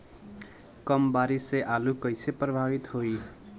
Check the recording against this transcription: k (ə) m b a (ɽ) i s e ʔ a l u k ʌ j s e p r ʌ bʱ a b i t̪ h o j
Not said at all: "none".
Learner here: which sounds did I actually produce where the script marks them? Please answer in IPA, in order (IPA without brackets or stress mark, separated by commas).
ʌ, ɾ